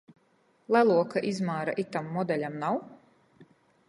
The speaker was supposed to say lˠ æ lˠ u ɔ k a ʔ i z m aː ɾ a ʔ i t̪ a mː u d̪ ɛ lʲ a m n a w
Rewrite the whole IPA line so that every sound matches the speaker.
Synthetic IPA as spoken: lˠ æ lˠ u ɔ k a ʔ i z m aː ɾ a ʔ i t̪ a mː ɔ d̪ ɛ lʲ a m n a w